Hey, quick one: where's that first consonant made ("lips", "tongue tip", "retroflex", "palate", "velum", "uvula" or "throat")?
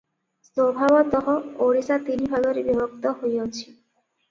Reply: tongue tip